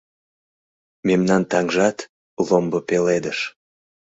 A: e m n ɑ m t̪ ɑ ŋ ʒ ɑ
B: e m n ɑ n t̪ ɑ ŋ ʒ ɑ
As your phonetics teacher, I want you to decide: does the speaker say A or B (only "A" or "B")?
B